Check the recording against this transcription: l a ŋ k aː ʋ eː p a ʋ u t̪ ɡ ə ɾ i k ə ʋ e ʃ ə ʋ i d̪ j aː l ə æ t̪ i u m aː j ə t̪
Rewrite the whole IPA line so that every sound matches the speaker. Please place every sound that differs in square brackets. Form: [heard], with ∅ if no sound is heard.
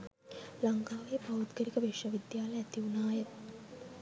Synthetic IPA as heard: l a ŋ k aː ʋ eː p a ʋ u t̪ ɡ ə ɾ i k ə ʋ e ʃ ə ʋ i d̪ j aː l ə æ t̪ i u [n] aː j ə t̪